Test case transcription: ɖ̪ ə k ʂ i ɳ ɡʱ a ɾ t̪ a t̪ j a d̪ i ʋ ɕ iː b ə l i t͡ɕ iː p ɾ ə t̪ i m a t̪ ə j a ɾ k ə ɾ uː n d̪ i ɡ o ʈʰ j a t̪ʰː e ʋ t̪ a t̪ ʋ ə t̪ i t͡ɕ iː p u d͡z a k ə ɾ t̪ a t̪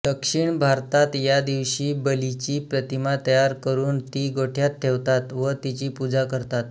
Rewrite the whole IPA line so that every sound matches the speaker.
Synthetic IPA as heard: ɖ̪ ə k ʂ i ɳ bʱ a ɾ t̪ a t̪ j a d̪ i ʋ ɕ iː b ə l i t͡ɕ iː p ɾ ə t̪ i m a t̪ ə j a ɾ k ə ɾ uː n t̪ i ɡ o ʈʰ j a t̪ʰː e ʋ t̪ a t̪ ʋ ə t̪ i t͡ɕ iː p u d͡z a k ə ɾ t̪ a t̪